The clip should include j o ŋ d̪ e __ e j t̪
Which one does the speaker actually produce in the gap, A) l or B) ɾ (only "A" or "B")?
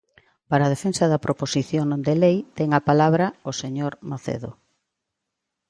A